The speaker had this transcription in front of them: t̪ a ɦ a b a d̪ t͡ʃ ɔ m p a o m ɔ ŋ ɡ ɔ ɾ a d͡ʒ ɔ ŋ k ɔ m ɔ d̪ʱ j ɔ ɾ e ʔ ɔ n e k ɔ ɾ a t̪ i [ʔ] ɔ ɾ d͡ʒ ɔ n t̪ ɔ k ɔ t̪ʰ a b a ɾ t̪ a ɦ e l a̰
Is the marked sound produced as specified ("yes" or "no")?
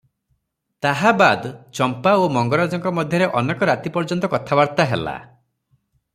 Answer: no